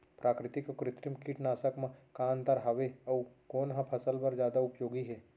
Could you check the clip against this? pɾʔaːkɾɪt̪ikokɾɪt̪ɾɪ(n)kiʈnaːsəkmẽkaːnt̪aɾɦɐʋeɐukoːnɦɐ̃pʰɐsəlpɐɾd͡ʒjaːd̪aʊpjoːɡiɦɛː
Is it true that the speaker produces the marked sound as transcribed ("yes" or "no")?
no